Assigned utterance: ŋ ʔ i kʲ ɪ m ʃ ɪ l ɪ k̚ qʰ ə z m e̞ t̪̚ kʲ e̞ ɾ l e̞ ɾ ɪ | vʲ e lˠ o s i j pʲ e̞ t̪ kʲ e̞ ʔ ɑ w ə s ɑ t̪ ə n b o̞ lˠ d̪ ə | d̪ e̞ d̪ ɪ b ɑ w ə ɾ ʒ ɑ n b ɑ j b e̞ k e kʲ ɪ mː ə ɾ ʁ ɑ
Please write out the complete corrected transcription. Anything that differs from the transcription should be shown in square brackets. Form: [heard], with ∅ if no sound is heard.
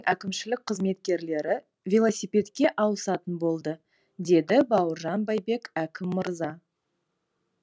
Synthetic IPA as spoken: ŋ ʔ [æ] kʲ ɪ m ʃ ɪ l ɪ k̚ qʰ ə z m e̞ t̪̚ kʲ e̞ ɾ l e̞ ɾ ɪ | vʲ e lˠ o s i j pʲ e̞ t̪ kʲ e̞ ʔ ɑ w ə s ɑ t̪ ə n b o̞ lˠ d̪ ə | d̪ e̞ d̪ ɪ b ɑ w ə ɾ ʒ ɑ n b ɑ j b e̞ k [æ] kʲ ɪ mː ə ɾ [z] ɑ